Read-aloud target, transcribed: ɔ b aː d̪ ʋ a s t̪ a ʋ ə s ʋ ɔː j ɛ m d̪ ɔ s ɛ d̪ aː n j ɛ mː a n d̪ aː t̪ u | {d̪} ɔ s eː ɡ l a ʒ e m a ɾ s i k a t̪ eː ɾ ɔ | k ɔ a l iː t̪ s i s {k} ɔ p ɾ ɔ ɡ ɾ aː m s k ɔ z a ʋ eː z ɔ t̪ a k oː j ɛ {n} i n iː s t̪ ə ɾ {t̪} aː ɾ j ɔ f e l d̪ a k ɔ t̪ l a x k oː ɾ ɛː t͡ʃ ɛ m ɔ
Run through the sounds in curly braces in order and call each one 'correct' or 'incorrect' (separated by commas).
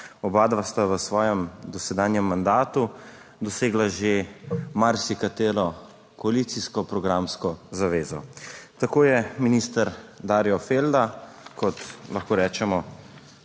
correct, correct, incorrect, incorrect